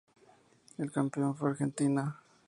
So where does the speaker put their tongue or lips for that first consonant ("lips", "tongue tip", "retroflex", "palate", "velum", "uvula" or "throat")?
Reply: tongue tip